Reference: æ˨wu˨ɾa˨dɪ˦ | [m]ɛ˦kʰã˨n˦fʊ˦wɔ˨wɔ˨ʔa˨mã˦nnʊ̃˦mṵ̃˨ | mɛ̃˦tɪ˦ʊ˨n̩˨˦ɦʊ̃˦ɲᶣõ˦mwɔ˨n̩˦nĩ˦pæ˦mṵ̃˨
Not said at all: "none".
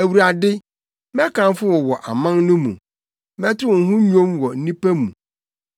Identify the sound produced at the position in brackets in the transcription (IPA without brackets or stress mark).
m